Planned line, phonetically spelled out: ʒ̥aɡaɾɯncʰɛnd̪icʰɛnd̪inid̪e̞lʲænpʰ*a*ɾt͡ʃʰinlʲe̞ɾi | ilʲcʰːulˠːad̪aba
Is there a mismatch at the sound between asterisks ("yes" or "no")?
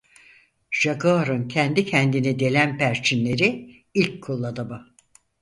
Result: yes